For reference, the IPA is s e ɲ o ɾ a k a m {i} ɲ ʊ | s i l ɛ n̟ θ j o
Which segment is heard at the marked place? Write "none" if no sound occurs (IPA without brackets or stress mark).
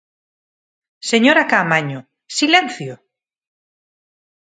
a